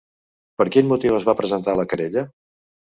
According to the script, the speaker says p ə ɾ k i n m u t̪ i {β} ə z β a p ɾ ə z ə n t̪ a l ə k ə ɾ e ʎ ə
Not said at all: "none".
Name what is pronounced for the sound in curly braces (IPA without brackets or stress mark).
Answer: w